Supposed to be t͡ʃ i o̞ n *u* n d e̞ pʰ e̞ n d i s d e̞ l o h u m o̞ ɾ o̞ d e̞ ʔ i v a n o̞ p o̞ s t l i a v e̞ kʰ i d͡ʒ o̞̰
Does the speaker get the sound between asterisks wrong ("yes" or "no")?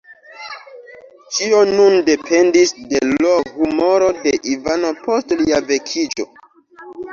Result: no